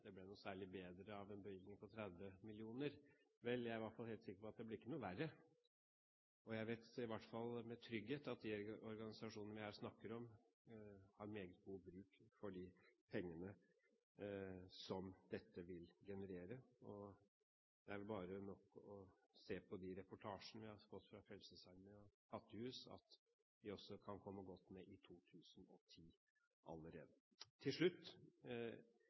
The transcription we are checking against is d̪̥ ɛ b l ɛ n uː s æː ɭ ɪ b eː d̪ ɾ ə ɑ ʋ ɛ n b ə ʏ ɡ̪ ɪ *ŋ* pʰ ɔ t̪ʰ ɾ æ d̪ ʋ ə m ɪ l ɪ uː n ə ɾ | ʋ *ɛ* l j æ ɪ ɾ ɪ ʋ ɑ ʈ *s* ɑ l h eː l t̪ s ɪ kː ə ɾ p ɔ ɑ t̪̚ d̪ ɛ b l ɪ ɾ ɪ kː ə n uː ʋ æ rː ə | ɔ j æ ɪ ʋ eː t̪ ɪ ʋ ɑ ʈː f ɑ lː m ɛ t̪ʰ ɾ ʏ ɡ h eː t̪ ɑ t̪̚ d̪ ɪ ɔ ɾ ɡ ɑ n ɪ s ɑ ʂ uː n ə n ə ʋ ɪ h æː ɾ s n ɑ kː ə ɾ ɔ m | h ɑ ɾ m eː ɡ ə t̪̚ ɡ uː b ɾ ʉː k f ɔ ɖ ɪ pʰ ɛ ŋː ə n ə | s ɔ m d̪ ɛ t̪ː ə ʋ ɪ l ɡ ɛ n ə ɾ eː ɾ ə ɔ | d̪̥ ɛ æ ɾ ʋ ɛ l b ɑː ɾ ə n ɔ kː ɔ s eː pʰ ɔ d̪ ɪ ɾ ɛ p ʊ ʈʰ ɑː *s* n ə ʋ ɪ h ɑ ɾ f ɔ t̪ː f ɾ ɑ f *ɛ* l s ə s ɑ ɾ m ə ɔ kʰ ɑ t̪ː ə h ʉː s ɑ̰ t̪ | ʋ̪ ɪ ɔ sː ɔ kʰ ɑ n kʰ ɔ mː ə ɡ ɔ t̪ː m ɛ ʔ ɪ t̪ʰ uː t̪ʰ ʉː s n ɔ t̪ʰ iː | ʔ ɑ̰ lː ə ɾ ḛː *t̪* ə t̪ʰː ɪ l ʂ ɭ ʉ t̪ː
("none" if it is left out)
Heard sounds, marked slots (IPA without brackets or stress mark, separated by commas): ŋ, ɛ, f, ʂ, ɛ, d̪